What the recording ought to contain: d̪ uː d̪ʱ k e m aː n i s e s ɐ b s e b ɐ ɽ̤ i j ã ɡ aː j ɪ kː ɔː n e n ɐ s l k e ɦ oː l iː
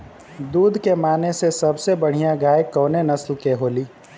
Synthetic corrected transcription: d̪ uː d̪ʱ k e m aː n e s e s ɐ b s e b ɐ ɽ̤ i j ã ɡ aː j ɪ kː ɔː n e n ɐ s l k e ɦ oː l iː